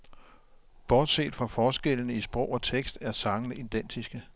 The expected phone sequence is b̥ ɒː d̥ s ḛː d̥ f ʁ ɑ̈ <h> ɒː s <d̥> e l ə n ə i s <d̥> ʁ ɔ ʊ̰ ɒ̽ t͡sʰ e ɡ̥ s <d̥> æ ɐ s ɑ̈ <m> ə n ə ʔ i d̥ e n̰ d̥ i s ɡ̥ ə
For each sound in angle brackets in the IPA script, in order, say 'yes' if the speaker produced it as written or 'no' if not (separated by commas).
no, no, no, yes, no